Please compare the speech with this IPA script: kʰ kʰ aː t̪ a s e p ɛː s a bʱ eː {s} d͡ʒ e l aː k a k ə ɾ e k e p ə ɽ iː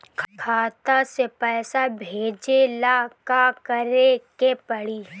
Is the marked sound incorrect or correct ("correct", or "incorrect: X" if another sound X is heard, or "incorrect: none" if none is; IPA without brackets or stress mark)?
incorrect: none